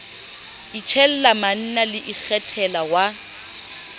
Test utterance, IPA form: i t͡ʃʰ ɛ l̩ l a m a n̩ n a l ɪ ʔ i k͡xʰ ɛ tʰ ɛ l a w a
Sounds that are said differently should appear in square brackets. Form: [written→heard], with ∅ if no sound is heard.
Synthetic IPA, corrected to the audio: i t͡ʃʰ ɛ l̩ l a m a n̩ n a l ɪ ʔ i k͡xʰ ɛ tʰ ɛ l a w a

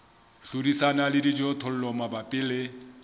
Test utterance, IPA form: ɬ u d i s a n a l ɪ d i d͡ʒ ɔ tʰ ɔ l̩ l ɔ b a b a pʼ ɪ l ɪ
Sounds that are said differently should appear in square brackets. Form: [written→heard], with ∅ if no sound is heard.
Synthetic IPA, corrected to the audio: ɬ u d i s a n a l ɪ d i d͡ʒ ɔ tʰ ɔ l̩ l ɔ [b→m] a b a pʼ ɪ l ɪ

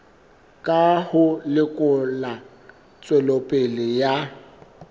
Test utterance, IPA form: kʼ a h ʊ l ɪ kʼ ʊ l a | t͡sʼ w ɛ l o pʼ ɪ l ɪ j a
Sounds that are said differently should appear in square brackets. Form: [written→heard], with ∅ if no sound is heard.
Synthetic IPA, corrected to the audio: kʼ a h ʊ l ɪ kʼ ʊ l a | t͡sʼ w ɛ l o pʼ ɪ l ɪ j a

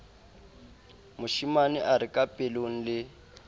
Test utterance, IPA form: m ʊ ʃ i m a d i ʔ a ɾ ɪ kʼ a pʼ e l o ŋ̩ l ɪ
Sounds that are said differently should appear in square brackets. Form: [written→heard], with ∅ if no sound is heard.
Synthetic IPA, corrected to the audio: m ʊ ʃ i m a [d→n] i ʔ a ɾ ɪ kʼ a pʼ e l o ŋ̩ l ɪ

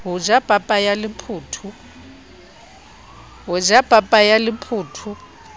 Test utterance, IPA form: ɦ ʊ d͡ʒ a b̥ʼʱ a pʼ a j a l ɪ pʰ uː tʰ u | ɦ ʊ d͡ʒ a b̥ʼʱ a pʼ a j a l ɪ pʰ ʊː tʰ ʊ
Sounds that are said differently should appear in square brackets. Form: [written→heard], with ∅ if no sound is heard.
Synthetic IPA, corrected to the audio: ɦ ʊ d͡ʒ a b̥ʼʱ a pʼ a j a l ɪ pʰ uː tʰ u | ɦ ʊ d͡ʒ a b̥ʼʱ a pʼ a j a l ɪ pʰ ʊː tʰ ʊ

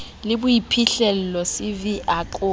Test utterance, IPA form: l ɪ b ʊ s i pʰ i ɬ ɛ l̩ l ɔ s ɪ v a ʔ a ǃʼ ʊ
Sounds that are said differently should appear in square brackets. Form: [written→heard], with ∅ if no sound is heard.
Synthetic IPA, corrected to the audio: l ɪ b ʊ [s→∅] i pʰ i ɬ ɛ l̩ l ɔ s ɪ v [a→i] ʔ a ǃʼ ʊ

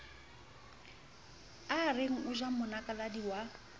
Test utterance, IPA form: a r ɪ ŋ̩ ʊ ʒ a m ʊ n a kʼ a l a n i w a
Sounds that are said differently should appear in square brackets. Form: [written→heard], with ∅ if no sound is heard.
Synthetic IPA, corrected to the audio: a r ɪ ŋ̩ ʊ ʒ a m ʊ n a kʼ a l a [n→d] i w a

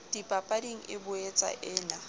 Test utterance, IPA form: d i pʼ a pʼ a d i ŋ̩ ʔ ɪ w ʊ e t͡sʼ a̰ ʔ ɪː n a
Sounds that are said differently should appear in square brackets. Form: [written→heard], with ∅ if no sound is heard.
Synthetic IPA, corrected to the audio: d i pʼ a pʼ a d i ŋ̩ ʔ ɪ [w→b] ʊ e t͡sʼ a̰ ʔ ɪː n a

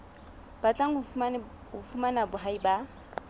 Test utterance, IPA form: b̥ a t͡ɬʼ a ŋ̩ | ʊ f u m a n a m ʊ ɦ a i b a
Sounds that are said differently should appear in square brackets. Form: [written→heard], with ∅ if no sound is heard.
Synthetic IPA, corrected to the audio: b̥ a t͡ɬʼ a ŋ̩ | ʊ f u m a n a [m→b] ʊ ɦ a i b a

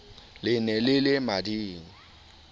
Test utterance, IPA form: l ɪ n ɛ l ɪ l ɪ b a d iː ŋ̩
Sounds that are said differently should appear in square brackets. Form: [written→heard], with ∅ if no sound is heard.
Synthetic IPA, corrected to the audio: l ɪ n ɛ l ɪ l ɪ [b→m] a d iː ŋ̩

